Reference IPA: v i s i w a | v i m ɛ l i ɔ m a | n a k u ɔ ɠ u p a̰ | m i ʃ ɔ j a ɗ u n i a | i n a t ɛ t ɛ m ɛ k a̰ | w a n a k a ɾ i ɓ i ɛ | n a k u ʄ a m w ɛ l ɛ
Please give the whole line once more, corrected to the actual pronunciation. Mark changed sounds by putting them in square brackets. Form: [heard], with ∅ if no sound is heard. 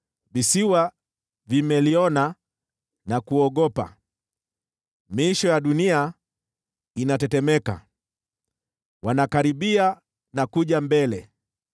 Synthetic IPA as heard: v i s i w a | v i m ɛ l i ɔ [n] a | n a k u ɔ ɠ [ɔ] p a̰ | m i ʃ ɔ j a ɗ u n i a | i n a t ɛ t ɛ m ɛ k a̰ | w a n a k a ɾ i ɓ i [a] | n a k u ʄ a m [b] ɛ l ɛ